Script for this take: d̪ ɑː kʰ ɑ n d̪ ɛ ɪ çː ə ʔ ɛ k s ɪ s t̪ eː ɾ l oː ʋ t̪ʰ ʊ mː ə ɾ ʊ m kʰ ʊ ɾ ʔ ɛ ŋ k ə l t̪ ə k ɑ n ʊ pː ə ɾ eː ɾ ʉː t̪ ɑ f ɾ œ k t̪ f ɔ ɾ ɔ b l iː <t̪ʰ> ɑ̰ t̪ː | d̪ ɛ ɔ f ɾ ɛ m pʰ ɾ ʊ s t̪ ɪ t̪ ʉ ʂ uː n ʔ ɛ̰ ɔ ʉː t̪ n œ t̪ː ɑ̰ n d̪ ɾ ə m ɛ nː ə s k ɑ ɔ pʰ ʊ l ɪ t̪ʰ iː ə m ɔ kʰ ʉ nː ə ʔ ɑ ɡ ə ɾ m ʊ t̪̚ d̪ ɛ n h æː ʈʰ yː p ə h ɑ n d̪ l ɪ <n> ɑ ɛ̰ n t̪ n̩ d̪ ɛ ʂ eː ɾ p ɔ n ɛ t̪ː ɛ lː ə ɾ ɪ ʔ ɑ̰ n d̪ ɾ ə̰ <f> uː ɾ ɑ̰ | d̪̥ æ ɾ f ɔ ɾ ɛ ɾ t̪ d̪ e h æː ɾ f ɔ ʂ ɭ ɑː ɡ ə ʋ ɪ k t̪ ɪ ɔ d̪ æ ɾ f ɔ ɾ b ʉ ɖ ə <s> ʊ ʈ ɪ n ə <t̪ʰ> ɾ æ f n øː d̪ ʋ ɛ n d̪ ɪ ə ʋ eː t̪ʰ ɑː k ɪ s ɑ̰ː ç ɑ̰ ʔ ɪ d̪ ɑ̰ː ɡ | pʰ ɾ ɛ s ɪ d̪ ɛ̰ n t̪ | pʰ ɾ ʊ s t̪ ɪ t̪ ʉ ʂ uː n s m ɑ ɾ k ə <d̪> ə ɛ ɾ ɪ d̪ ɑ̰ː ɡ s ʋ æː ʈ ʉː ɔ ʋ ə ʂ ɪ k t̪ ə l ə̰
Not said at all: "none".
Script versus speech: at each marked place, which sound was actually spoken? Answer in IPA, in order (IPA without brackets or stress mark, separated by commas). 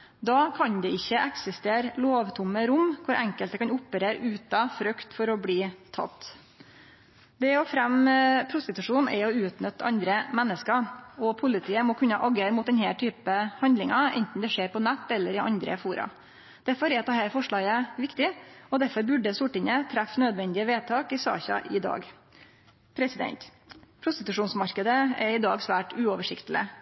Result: t̪ʰ, ŋ, f, s, t̪ʰ, d̪